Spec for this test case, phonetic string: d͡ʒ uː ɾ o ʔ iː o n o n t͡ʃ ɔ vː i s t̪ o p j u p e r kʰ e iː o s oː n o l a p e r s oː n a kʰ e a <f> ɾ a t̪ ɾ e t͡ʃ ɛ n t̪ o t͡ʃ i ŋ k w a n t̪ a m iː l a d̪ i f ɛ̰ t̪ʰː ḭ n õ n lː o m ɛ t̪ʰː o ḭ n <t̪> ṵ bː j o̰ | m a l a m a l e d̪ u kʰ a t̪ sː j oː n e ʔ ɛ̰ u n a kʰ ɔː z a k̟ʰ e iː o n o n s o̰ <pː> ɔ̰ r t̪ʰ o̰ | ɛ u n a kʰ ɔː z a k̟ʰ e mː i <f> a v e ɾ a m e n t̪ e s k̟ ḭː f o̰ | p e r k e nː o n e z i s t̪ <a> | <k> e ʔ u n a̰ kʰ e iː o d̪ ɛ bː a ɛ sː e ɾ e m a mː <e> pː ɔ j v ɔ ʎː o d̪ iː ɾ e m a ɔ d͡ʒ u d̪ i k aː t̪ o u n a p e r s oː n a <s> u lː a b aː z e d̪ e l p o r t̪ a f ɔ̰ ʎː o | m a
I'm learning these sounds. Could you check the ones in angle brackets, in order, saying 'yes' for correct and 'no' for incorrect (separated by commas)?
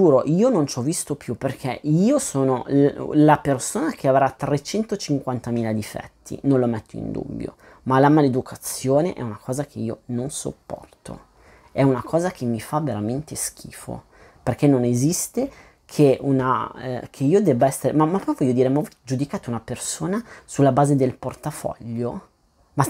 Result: no, no, yes, yes, no, no, no, yes